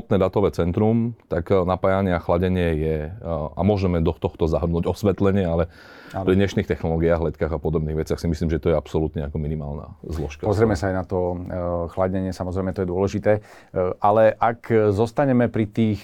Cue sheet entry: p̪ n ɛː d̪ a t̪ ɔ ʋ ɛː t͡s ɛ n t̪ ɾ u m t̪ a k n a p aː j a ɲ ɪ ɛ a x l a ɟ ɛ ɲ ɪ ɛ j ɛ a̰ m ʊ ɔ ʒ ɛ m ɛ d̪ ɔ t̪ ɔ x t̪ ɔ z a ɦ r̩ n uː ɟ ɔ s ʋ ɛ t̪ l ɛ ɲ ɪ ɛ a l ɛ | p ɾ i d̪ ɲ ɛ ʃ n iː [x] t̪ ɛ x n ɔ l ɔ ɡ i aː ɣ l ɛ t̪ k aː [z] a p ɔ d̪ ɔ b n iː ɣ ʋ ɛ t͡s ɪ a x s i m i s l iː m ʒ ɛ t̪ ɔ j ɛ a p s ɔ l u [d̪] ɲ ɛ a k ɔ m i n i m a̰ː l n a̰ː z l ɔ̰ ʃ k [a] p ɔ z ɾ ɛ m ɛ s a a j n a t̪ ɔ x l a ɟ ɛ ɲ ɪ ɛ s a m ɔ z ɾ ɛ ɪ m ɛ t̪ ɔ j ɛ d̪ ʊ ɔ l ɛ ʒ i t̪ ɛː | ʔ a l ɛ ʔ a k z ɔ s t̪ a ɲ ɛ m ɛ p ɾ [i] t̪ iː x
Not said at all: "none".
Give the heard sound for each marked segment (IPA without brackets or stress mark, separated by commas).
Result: x, ɣ, t̪, a, i